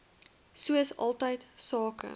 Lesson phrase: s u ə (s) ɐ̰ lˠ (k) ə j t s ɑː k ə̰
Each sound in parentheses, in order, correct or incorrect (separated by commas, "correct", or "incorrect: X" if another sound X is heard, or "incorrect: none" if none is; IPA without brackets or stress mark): correct, incorrect: t